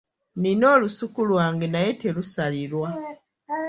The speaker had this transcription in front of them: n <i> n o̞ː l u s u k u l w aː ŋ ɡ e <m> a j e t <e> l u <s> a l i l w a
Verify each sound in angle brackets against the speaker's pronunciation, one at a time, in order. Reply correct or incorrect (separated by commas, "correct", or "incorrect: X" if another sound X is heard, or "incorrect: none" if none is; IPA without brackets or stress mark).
correct, incorrect: n, correct, correct